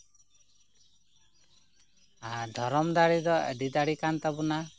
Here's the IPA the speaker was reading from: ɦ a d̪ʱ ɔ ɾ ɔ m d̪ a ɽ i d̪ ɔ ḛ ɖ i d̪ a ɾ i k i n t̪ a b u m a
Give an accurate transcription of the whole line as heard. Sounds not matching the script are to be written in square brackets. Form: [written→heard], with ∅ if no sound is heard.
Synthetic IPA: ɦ a d̪ʱ ɔ ɾ ɔ m d̪ a ɽ i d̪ ɔ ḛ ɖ i d̪ a [ɾ→ɽ] i k [i→a] n t̪ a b u [m→n] a